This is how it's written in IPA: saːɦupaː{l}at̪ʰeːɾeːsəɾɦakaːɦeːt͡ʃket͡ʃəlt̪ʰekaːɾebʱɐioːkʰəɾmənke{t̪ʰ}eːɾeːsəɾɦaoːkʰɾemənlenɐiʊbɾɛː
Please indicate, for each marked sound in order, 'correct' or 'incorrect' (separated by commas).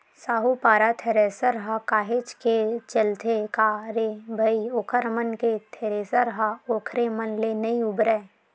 incorrect, correct